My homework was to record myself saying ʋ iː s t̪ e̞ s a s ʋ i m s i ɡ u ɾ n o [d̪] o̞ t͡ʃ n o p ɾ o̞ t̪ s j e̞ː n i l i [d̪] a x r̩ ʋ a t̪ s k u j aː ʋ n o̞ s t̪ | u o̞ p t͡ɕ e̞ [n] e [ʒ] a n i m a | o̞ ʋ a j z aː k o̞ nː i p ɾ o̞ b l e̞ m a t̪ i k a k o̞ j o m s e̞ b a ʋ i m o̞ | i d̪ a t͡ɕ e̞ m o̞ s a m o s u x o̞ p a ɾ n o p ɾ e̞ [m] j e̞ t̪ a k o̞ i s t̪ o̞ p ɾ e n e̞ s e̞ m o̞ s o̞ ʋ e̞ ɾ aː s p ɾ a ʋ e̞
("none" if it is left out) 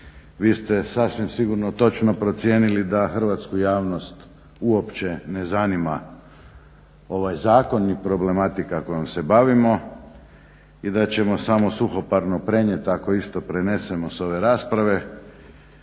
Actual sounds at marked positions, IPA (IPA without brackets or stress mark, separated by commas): t̪, d̪, n, z, ɲ